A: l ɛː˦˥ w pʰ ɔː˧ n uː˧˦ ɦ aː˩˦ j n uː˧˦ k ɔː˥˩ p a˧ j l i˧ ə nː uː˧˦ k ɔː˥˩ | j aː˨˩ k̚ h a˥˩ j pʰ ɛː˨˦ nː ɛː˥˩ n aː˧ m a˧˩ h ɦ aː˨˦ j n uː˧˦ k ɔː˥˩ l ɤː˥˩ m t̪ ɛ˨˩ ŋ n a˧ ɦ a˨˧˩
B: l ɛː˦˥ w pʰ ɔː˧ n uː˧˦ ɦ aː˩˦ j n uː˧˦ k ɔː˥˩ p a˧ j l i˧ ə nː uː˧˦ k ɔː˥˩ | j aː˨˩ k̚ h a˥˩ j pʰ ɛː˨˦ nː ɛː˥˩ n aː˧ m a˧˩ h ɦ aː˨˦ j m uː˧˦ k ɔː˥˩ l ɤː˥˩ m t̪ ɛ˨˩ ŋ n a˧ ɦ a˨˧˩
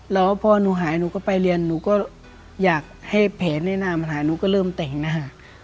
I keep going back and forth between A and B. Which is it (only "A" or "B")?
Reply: A